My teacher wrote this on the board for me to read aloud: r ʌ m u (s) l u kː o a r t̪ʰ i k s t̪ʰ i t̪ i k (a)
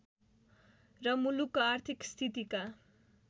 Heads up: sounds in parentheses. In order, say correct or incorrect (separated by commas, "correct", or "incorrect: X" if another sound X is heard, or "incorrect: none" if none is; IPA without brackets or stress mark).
incorrect: none, correct